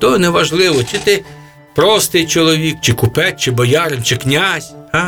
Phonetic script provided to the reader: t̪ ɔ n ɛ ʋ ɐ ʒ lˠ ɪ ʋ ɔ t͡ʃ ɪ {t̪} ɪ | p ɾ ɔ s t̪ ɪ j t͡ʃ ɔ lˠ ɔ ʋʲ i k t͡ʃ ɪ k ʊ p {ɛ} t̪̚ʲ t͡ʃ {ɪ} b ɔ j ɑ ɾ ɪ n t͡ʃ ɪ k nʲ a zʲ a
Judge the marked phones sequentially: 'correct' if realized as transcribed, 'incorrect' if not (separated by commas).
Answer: correct, correct, correct